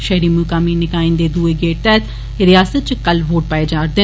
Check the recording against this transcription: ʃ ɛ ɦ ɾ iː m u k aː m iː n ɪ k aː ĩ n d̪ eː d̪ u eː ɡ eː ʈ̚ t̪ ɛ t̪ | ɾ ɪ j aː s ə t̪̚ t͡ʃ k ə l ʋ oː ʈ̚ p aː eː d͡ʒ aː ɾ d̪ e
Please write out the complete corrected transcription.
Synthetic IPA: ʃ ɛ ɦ ɾ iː m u k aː m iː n ɪ k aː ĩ n d̪ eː d̪ u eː ɡ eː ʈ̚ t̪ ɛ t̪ | ɾ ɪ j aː s ə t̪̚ t͡ʃ k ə l ʋ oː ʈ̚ p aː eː d͡ʒ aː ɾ d̪ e